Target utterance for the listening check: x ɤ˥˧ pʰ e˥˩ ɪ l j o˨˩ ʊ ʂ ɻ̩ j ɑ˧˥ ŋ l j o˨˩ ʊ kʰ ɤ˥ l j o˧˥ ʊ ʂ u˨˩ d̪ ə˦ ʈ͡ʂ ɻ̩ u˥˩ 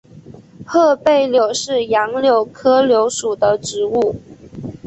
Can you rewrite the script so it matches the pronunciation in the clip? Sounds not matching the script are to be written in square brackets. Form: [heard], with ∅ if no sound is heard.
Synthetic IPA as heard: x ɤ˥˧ [p] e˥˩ ɪ l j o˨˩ ʊ ʂ ɻ̩ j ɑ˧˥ ŋ l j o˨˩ ʊ kʰ ɤ˥ l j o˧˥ ʊ ʂ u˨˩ d̪ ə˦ ʈ͡ʂ ɻ̩ u˥˩